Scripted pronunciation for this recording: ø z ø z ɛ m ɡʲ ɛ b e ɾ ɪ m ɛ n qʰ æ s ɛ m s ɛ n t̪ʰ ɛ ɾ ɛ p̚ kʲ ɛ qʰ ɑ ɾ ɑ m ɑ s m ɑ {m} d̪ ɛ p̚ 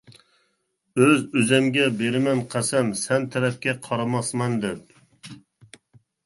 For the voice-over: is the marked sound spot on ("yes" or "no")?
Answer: no